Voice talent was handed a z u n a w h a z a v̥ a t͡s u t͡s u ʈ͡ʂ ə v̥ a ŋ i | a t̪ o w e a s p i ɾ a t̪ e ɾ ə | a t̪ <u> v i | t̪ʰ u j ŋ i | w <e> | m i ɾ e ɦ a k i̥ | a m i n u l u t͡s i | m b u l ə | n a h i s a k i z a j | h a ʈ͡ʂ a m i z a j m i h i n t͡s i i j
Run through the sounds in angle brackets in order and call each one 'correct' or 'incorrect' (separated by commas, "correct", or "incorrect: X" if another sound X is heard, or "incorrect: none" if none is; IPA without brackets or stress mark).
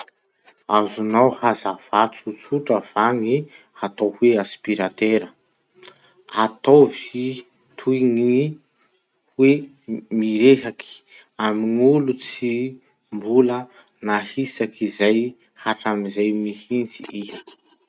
incorrect: o, correct